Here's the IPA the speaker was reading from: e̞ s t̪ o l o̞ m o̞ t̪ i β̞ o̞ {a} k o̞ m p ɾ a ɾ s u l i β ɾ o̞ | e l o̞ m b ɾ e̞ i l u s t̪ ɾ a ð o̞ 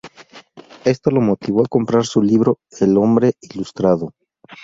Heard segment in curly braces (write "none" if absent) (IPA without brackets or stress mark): a